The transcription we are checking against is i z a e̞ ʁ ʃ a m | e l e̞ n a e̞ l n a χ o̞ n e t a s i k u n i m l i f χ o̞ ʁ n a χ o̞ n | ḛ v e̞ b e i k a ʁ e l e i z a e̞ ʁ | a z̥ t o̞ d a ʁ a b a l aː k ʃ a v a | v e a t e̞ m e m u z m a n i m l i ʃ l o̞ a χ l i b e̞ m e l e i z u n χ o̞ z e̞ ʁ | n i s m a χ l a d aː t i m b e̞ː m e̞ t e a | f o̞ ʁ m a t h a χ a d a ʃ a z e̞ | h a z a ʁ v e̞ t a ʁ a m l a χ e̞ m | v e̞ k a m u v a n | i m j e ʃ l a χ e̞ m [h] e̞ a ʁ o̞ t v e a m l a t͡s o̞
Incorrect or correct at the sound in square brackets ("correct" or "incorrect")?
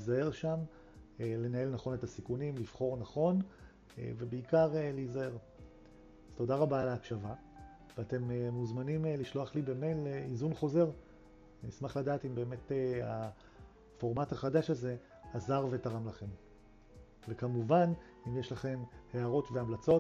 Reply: correct